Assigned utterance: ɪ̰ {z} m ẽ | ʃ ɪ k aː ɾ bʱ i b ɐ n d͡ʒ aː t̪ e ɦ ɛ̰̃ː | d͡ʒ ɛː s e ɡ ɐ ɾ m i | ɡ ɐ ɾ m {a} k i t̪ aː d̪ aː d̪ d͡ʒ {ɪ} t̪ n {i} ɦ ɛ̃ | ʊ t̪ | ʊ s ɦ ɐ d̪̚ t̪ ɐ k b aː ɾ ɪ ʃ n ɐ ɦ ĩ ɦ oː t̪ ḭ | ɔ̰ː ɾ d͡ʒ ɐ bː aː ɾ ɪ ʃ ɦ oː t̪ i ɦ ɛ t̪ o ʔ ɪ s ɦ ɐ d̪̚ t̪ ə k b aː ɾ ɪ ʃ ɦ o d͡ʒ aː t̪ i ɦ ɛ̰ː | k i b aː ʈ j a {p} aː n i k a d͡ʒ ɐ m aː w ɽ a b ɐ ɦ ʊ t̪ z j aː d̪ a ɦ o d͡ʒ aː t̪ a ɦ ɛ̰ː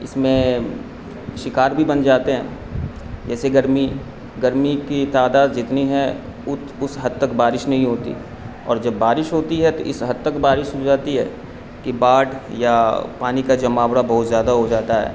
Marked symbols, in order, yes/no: no, no, yes, yes, yes

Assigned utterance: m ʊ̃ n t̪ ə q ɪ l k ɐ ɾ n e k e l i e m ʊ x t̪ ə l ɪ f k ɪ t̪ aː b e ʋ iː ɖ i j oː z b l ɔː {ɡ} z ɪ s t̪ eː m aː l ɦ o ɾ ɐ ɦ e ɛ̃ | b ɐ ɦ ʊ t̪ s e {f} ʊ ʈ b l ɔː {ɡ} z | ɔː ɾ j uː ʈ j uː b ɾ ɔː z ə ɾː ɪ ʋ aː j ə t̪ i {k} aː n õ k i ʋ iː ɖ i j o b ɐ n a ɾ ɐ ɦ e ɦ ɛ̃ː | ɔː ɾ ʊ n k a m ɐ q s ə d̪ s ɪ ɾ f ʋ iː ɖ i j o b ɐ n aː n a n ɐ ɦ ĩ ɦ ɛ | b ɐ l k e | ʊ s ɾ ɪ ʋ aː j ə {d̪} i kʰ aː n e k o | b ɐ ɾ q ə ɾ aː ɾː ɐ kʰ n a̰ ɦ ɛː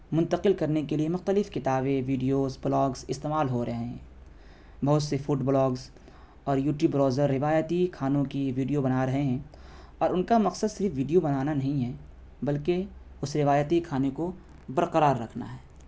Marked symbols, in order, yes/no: yes, yes, yes, no, no

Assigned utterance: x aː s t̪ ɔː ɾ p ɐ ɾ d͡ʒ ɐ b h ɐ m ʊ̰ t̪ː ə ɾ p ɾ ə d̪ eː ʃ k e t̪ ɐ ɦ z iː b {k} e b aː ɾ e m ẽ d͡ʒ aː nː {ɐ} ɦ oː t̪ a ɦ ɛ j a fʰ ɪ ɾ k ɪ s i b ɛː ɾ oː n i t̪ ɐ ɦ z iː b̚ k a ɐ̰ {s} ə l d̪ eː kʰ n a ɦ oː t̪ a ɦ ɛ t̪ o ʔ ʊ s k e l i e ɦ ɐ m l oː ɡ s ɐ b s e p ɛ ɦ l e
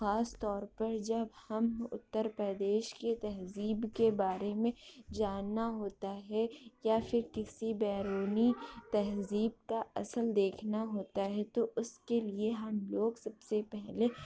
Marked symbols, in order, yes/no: yes, no, yes

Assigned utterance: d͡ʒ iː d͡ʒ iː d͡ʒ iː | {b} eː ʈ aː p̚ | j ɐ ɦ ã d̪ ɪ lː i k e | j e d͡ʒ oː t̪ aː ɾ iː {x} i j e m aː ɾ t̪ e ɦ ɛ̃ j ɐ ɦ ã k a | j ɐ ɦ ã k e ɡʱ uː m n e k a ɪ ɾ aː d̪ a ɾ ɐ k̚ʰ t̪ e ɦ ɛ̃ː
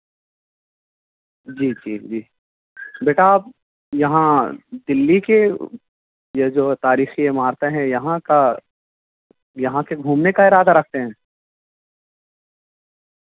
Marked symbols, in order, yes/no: yes, yes

